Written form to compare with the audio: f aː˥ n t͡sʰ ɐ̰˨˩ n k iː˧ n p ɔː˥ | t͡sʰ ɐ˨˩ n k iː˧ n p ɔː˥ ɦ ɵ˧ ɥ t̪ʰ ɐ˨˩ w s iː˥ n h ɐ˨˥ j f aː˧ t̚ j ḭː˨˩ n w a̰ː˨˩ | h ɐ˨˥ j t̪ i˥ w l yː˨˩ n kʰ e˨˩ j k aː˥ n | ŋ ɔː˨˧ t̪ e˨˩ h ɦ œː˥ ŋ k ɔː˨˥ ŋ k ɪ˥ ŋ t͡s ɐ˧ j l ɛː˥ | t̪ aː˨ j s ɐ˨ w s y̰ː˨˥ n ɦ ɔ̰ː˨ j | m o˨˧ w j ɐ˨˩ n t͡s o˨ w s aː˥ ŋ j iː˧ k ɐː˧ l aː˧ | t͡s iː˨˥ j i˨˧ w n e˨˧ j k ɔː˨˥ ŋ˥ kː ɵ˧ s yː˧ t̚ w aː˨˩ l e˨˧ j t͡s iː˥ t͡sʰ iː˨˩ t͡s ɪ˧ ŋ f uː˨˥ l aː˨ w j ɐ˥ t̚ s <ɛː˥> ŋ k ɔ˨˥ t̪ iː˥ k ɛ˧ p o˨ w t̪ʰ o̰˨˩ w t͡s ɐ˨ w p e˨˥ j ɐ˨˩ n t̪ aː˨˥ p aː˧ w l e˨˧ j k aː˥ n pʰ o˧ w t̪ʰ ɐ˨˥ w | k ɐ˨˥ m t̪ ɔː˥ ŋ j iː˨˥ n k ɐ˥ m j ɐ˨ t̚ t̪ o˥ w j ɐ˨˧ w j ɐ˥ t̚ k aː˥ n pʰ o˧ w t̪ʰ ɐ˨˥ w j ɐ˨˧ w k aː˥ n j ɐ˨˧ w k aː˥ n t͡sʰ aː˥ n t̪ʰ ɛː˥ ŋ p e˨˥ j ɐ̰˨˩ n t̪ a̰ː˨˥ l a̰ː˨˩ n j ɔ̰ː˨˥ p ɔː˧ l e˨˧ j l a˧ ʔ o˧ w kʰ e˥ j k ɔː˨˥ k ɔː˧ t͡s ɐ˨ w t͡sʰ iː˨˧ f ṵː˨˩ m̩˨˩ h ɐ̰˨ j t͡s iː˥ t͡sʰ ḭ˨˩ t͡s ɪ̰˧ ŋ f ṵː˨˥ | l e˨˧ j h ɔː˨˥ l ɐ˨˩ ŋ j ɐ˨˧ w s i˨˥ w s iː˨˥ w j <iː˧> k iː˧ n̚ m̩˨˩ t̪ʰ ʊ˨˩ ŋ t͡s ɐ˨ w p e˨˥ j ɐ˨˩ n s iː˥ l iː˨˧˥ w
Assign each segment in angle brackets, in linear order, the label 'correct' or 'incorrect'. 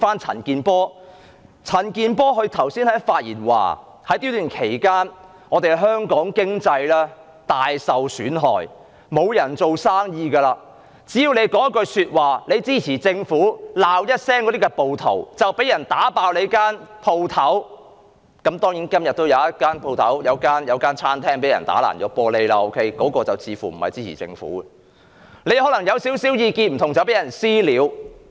correct, correct

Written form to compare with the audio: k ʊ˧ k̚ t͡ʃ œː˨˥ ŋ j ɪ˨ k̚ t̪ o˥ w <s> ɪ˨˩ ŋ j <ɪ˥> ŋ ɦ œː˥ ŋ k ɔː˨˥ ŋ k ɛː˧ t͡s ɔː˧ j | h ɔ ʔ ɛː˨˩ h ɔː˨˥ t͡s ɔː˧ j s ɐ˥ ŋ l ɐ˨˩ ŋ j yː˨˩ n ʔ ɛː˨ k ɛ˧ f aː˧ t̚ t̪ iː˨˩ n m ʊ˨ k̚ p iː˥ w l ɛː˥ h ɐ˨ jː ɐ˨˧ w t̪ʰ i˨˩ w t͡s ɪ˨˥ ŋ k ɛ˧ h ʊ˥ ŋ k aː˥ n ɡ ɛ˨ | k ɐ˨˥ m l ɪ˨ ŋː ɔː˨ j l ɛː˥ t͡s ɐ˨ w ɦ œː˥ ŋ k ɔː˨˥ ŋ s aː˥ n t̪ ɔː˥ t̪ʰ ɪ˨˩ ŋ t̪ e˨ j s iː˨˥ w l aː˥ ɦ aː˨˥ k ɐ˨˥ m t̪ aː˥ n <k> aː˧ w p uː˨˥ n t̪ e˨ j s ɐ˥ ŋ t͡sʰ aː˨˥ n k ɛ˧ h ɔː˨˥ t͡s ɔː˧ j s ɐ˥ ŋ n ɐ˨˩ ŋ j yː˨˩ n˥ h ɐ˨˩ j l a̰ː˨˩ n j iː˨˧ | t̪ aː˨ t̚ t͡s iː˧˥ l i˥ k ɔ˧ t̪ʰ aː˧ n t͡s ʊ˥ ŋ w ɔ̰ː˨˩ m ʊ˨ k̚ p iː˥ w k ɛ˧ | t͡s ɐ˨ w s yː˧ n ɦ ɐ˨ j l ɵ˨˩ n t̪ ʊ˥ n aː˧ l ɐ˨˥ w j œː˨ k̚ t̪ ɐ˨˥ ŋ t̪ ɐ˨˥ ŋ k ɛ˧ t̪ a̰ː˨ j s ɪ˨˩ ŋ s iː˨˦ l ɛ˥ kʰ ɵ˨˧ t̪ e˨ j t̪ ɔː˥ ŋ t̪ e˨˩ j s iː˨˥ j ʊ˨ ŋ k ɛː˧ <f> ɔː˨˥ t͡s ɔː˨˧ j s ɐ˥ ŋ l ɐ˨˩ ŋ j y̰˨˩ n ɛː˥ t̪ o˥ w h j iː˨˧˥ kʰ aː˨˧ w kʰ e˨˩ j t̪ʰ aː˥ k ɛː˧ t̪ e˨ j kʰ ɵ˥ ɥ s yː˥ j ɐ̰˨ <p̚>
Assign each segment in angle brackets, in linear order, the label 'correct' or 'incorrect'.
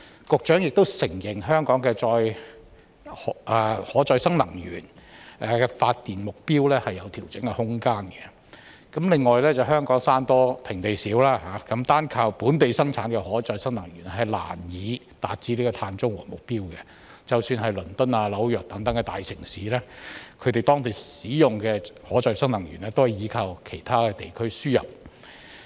correct, incorrect, incorrect, incorrect, correct

